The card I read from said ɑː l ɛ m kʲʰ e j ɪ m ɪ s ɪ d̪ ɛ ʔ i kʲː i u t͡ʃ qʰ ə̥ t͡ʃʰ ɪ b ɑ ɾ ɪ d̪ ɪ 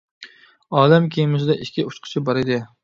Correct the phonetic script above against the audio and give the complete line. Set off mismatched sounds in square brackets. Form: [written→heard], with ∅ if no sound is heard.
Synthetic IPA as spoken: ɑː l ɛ m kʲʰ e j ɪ m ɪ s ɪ d̪ ɛ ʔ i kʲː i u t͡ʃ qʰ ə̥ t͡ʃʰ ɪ b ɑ ɾ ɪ d̪ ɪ